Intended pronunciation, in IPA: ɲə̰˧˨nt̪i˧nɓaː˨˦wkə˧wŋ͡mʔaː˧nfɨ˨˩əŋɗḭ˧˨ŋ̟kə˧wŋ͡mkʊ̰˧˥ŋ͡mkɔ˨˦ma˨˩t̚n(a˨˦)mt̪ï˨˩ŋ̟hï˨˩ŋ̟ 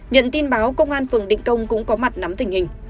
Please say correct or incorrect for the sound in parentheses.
correct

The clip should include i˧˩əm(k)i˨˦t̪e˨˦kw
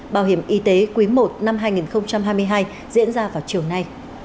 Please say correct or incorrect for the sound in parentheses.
incorrect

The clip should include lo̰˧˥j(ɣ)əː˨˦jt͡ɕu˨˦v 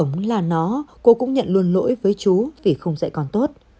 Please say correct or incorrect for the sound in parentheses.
incorrect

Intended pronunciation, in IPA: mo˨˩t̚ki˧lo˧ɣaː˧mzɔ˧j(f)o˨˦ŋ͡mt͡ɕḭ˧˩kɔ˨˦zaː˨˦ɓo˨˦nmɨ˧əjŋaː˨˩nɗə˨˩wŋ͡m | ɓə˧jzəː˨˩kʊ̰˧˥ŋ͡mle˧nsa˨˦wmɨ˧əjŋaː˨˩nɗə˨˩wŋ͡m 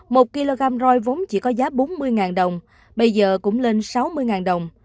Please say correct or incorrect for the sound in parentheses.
incorrect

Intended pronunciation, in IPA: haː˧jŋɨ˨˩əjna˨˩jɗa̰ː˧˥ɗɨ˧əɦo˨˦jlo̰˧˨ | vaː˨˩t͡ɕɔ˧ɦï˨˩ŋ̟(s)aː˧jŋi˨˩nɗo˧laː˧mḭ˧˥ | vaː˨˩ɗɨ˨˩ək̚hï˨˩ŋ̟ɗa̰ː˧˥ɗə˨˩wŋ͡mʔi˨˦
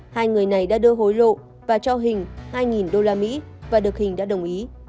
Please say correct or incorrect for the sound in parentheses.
incorrect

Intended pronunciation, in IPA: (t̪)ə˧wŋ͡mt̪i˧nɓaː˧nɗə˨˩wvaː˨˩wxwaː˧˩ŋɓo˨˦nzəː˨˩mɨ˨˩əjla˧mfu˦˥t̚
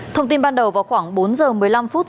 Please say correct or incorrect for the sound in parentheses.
incorrect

